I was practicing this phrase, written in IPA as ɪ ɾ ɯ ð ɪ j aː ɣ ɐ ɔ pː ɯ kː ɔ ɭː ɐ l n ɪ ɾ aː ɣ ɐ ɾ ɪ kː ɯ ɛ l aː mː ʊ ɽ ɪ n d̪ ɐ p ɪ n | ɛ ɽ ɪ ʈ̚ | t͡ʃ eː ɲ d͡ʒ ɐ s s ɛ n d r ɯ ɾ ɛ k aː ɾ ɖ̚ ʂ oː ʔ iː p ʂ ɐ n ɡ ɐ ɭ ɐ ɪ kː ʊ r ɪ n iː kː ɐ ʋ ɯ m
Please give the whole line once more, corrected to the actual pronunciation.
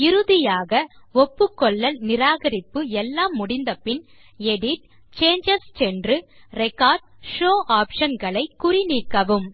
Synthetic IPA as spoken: ɪ ɾ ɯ ð ɪ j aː ɣ ɐ ɔ pː ɯ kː ɔ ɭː ɐ l n ɪ ɾ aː ɣ ɐ ɾ ɪ pː ɯ ɛ lː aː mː ʊ ɽ ɪ n d̪ ɐ p ɪ n | ɛ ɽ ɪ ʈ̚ | t͡ʃ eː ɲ d͡ʒ ɐ s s ɛ n d r ɯ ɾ ɛ k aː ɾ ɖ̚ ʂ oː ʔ aː p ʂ ɐ n ɡ ɐ ɭ ɐ ɪ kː ʊ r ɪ n iː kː ɐ ʋ ɯ m